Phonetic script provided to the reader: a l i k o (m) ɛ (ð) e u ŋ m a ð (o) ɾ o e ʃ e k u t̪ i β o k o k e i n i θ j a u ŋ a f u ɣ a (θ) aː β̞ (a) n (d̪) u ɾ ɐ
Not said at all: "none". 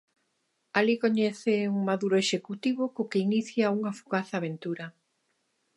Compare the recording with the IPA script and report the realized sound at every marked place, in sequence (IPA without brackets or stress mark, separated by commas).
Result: ɲ, θ, u, θ, e, t̪